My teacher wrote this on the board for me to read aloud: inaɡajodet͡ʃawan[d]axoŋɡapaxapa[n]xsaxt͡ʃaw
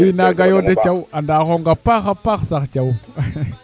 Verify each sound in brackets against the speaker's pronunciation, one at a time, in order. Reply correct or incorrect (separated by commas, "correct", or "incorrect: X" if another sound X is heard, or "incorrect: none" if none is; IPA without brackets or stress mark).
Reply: correct, incorrect: none